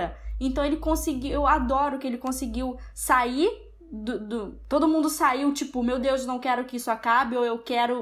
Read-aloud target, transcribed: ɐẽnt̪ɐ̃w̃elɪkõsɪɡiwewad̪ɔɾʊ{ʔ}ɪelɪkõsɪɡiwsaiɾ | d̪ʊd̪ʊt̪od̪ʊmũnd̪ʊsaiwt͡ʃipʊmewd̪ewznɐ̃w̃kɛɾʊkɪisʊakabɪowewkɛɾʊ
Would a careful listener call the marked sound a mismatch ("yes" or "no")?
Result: yes